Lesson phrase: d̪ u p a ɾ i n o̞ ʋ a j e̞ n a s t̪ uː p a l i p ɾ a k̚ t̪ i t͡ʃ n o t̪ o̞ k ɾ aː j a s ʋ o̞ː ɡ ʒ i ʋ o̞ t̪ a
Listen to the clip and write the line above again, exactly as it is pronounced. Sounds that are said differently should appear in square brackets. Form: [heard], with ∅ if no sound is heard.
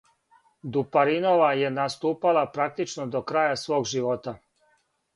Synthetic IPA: d̪ u p a ɾ i n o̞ ʋ a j e̞ n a s t̪ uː p a l [a] p ɾ a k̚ t̪ i t͡ʃ n o [d̪] o̞ k ɾ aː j a s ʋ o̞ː ɡ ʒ i ʋ o̞ t̪ a